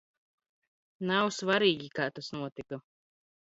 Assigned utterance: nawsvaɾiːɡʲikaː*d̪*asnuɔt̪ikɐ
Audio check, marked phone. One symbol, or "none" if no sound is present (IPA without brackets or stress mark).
t̪